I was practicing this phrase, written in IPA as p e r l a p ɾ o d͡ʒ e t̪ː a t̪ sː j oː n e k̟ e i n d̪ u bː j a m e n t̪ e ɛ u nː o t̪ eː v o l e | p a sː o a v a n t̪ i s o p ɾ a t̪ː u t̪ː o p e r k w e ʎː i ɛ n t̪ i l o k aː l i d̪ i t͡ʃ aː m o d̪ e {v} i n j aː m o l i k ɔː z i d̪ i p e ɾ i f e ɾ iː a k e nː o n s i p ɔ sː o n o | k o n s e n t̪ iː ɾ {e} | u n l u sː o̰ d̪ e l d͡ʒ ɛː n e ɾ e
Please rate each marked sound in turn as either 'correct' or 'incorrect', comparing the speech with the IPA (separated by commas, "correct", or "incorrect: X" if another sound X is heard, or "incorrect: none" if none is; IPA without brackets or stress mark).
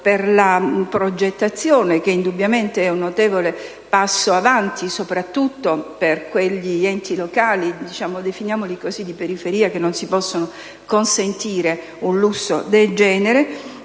incorrect: f, correct